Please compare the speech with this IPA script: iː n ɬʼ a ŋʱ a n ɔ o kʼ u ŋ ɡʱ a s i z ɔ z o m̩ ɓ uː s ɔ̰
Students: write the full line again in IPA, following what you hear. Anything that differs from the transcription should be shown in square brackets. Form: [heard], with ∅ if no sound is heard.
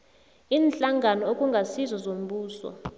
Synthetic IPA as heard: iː n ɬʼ a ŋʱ a n ɔ o kʼ u ŋ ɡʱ a s i z ɔ z o m̩ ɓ uː s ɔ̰